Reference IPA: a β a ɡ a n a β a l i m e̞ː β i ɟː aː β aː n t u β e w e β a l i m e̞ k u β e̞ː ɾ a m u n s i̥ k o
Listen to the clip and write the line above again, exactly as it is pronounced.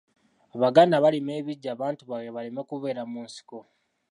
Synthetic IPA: a β a ɡ a n a β a l i m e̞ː β i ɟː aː β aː n t u β a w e β a l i m e̞ k u β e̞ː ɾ a m u n s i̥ k o